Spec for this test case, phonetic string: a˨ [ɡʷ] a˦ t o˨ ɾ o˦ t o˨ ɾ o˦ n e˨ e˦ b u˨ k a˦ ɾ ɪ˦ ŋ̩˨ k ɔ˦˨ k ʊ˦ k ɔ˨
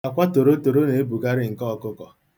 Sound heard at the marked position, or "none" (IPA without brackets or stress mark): kʷ